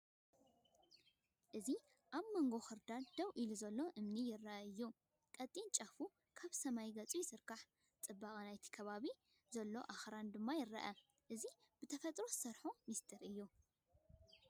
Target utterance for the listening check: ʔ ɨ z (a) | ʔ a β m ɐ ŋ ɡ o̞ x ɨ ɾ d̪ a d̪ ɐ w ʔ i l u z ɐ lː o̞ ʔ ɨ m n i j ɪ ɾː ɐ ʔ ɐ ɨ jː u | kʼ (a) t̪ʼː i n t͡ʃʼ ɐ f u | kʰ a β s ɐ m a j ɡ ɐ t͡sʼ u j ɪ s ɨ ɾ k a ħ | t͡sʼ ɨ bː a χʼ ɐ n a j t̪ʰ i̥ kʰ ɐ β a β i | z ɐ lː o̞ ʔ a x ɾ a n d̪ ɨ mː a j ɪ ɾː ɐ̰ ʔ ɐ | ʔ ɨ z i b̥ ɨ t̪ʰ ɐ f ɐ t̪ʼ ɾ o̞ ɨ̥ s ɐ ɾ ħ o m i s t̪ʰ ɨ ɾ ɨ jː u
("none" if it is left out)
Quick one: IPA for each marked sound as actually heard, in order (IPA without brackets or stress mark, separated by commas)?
i, ɐ